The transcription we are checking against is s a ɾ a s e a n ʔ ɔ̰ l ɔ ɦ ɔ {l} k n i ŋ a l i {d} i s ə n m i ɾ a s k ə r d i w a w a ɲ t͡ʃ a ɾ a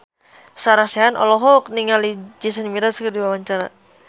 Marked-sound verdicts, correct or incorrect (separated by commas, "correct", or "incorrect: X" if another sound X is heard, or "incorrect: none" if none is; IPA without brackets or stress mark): incorrect: none, incorrect: d͡ʒ